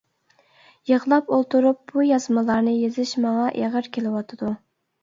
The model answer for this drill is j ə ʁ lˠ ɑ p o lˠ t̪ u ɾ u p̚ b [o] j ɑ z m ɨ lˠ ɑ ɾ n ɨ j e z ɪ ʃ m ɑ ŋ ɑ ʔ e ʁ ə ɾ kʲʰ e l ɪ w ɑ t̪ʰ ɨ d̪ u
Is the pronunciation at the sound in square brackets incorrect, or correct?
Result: incorrect: u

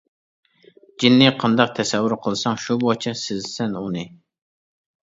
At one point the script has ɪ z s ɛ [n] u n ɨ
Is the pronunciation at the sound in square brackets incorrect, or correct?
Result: correct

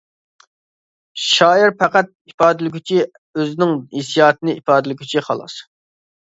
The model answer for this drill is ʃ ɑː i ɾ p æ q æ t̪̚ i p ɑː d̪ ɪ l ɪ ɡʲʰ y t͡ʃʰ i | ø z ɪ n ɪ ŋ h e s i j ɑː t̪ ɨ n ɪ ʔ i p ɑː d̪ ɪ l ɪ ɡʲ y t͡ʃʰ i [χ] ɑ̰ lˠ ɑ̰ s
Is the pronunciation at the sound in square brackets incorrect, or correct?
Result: correct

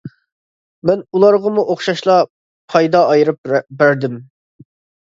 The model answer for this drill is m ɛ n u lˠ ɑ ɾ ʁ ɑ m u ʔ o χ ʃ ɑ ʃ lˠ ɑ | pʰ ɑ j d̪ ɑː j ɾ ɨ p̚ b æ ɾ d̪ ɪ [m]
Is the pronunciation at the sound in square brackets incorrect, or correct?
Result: correct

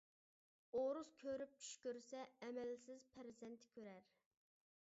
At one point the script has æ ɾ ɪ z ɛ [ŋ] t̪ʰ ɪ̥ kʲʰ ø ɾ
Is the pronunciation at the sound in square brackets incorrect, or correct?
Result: incorrect: n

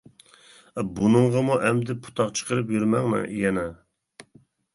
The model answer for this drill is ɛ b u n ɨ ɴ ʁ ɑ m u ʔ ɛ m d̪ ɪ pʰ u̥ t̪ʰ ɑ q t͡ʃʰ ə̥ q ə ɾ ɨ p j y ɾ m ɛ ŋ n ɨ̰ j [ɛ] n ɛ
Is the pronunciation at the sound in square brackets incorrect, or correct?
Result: correct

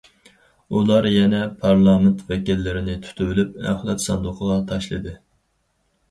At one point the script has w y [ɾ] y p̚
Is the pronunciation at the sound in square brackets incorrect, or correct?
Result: incorrect: l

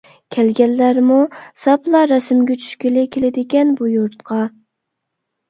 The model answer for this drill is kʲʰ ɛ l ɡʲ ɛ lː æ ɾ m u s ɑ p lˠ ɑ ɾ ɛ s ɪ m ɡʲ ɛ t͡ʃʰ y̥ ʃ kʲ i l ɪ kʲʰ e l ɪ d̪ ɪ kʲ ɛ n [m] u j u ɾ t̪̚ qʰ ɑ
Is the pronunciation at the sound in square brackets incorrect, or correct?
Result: incorrect: b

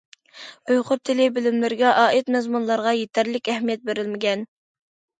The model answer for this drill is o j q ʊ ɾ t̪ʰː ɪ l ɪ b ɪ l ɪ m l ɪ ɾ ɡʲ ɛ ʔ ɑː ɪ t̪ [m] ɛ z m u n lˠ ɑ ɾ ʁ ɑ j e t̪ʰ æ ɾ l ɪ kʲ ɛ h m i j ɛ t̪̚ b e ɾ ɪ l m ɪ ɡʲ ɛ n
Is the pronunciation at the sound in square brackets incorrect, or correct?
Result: correct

